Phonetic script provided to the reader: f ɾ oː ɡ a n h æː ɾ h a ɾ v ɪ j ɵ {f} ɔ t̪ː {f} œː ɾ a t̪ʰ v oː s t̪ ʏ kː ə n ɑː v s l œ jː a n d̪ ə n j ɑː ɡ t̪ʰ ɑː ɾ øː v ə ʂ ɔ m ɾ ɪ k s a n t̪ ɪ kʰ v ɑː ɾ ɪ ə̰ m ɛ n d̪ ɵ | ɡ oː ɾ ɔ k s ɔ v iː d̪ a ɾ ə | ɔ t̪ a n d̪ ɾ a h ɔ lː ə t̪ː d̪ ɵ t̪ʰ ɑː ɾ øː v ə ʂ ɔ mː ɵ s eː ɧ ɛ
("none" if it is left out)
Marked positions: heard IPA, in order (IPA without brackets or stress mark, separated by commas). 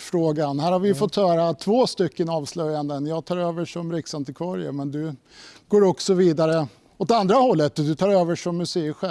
f, h